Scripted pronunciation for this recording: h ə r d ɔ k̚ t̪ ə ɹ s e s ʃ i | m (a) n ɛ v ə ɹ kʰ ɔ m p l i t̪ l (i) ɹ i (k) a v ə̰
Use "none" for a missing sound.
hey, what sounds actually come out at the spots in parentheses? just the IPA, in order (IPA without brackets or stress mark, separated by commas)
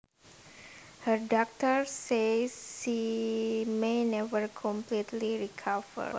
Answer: e, i, kʰ